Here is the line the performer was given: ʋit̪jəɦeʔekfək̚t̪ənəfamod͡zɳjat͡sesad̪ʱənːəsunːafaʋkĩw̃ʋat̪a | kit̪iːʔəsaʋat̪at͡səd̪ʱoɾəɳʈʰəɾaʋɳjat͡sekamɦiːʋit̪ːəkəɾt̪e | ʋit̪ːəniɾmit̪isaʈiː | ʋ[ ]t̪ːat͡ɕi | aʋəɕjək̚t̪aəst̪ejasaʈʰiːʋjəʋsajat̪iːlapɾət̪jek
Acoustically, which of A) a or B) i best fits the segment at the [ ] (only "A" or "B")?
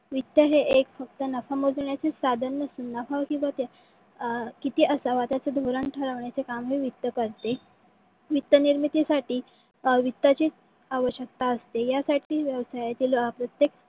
B